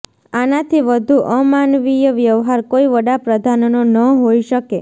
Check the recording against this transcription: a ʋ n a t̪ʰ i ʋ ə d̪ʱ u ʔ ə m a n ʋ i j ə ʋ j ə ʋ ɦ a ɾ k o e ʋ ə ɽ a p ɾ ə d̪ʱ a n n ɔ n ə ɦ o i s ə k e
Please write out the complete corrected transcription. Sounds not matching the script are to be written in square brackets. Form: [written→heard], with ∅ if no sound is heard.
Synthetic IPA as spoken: a [ʋ→∅] n a t̪ʰ i ʋ ə d̪ʱ u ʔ ə m a n ʋ i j ə ʋ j ə ʋ ɦ a ɾ k o [e→i] ʋ ə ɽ a p ɾ ə d̪ʱ a n n [ɔ→o] n ə ɦ o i [s→ʃ] ə k e

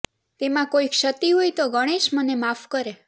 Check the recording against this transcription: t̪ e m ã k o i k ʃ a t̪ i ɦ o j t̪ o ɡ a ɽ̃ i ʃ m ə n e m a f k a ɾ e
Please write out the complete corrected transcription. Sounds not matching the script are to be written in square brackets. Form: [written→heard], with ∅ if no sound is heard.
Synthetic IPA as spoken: t̪ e m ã k o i k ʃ [a→ə] t̪ i ɦ o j t̪ o ɡ [a→ə] ɽ̃ [i→e] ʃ m ə n e m a f k [a→ə] ɾ e

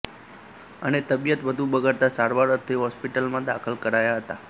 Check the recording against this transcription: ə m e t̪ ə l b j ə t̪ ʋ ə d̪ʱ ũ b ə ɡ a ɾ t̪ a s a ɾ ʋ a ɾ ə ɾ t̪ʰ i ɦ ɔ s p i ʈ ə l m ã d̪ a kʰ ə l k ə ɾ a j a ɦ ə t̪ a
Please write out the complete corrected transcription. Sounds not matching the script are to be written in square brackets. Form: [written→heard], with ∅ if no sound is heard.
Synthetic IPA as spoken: ə [m→n] e t̪ ə [l→∅] b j ə t̪ ʋ ə d̪ʱ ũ b ə ɡ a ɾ t̪ a s a ɾ ʋ a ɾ ə ɾ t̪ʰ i ɦ ɔ s p i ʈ ə l m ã d̪ a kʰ ə l k ə ɾ a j a ɦ ə t̪ a

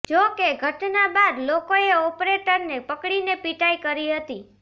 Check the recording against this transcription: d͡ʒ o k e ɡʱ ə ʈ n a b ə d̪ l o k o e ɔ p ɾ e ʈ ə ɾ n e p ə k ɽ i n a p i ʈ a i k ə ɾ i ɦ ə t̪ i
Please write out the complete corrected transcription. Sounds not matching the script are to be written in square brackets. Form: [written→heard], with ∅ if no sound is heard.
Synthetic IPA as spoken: d͡ʒ o k e ɡʱ ə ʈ n a b [ə→a] d̪ l o k o e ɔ p ɾ e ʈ ə ɾ n e p ə k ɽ i n [a→e] p i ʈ a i k ə ɾ i ɦ ə t̪ i

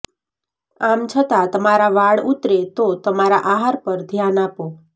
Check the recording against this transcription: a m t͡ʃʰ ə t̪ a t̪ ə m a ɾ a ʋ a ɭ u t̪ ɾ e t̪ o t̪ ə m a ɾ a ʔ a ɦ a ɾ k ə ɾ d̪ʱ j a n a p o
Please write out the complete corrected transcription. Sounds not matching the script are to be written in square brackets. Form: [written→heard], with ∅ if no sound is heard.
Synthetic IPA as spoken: a m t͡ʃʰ ə t̪ a t̪ ə m a ɾ a ʋ a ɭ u t̪ ɾ e t̪ o t̪ ə m a ɾ a ʔ a ɦ a ɾ [k→p] ə ɾ d̪ʱ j a n a p o

